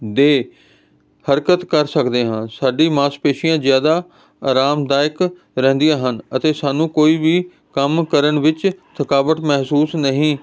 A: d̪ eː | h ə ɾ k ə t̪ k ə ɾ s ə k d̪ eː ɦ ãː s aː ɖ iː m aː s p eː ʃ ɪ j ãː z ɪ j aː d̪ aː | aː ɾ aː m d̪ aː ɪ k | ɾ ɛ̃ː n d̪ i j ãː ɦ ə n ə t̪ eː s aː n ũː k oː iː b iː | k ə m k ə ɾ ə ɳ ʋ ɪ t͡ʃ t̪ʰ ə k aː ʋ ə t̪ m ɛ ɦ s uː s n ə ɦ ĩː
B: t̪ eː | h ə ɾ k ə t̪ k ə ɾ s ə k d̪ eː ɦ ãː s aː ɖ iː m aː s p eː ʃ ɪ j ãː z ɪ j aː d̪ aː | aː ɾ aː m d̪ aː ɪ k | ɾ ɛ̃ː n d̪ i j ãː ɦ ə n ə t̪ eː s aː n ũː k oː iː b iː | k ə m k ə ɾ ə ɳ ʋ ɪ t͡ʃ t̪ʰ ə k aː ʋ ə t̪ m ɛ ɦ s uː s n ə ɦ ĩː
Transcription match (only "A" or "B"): A